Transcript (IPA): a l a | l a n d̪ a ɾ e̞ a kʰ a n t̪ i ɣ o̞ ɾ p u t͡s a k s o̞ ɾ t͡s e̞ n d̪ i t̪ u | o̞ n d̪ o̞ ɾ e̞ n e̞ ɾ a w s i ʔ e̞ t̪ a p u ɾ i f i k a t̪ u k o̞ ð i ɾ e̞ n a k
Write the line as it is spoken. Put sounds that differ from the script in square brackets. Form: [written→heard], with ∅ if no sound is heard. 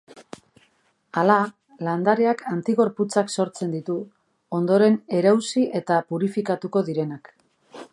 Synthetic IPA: a l a | l a n d̪ a ɾ e̞ a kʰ a n t̪ i ɣ o̞ ɾ p u t͡s a k s o̞ ɾ t͡s e̞ n d̪ i t̪ u | o̞ n d̪ o̞ ɾ e̞ n e̞ ɾ a w s i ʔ e̞ t̪ a p u ɾ i f i k a t̪ u k o̞ ð i ɾ e̞ n a k